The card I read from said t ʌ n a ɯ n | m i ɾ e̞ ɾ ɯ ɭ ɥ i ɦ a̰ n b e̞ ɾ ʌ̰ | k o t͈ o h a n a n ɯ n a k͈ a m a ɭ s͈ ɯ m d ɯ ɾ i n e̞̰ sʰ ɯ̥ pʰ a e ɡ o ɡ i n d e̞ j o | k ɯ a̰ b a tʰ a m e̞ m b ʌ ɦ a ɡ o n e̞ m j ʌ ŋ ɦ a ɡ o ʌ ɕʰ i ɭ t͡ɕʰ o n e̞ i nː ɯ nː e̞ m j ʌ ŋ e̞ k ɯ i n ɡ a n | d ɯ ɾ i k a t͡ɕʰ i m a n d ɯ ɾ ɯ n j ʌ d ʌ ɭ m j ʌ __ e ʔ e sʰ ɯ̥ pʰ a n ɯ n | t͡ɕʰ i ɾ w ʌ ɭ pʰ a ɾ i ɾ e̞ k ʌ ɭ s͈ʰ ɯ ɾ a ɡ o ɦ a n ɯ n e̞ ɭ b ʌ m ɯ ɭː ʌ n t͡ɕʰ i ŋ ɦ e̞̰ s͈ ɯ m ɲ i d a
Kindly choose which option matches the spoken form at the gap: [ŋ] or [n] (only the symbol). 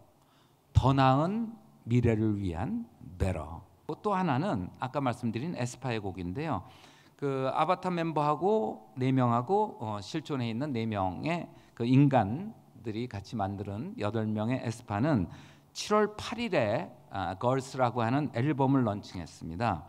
ŋ